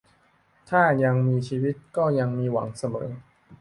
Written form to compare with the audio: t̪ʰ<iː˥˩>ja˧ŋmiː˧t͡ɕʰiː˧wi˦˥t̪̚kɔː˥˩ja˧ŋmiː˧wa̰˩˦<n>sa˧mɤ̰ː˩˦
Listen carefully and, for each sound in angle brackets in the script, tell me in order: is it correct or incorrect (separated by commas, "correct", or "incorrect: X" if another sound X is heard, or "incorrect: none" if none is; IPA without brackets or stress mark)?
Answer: incorrect: aː˥˩, incorrect: ŋ